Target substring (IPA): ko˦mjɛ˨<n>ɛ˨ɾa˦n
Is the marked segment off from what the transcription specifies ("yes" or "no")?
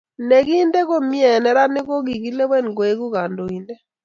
no